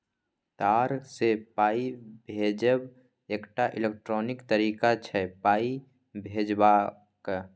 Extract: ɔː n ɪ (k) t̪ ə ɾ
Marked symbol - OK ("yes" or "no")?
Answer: yes